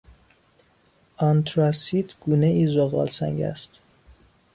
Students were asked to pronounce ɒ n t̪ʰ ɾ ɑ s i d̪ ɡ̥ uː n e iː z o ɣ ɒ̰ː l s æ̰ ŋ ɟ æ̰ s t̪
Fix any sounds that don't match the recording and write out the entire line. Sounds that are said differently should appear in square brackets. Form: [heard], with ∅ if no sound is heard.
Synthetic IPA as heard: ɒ n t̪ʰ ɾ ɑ s i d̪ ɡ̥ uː n e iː z o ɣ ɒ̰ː l s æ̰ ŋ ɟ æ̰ s t̪